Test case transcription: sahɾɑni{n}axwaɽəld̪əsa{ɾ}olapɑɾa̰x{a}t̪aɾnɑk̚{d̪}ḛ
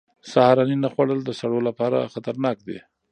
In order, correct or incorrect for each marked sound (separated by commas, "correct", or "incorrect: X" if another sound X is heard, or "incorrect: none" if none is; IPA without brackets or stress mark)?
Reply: correct, incorrect: ɽ, correct, correct